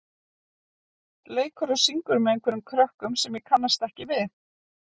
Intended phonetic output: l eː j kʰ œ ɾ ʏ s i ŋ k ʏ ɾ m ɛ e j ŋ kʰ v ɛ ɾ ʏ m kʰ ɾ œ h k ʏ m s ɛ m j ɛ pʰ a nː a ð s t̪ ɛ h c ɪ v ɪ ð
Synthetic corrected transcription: l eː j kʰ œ ɾ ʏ s i ŋ k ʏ ɾ m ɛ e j ŋ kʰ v ɛ ɾ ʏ m kʰ ɾ œ h k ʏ m s ɛ m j ɛ kʰ a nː a s t̪ ɛ h c ɪ v ɪ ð